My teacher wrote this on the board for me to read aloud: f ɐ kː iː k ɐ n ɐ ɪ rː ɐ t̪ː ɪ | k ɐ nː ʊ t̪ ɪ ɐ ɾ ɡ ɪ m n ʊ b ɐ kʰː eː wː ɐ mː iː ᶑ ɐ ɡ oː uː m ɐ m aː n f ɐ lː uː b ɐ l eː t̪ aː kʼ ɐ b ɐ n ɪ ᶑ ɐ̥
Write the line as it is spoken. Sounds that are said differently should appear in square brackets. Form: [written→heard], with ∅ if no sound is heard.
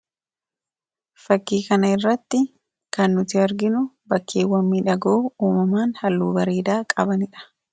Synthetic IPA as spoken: f ɐ kː iː k ɐ n ɐ ɪ rː ɐ t̪ː ɪ | k ɐ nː ʊ t̪ ɪ ɐ ɾ ɡ ɪ [m→∅] n ʊ b ɐ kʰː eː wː ɐ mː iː ᶑ ɐ ɡ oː uː m ɐ m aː n [f→h] ɐ lː uː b ɐ [l→ɾ] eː [t̪→d̪] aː kʼ ɐ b ɐ n ɪ ᶑ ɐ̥